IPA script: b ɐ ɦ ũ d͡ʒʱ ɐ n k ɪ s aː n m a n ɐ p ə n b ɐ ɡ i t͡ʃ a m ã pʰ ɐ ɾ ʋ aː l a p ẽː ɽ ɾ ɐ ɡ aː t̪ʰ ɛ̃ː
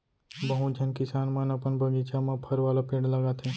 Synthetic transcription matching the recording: b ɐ ɦ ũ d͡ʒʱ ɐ n k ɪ s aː n m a n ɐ p ə n b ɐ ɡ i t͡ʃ a m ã pʰ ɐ ɾ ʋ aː l a p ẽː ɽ l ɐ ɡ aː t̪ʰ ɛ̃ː